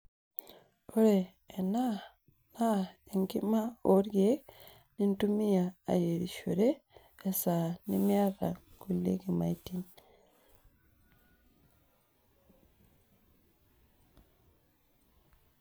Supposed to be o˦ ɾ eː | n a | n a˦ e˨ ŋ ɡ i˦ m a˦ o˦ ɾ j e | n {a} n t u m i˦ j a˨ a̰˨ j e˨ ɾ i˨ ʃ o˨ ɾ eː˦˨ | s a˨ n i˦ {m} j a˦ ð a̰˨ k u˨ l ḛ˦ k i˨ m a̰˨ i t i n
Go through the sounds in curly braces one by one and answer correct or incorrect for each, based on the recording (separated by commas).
incorrect, correct